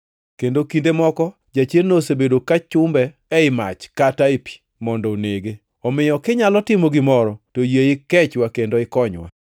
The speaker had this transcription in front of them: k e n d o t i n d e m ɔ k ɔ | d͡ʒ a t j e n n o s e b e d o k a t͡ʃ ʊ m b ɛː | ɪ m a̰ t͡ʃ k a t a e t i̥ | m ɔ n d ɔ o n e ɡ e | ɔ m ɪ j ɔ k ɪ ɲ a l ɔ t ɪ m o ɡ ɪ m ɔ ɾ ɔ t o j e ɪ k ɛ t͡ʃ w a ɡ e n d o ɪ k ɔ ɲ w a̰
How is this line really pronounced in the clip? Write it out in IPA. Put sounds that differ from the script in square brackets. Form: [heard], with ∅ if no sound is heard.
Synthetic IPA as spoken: k e n d o [k] i n d e m ɔ k ɔ | d͡ʒ a [t͡ʃ] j e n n o s e b e d o k a t͡ʃ ʊ m b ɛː | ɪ m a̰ t͡ʃ k a t a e [p] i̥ | m ɔ n d ɔ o n e ɡ e | ɔ m ɪ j ɔ k ɪ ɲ a l ɔ t ɪ m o ɡ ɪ m ɔ ɾ ɔ t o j e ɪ k ɛ t͡ʃ w a [k] e n d o ɪ k ɔ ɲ w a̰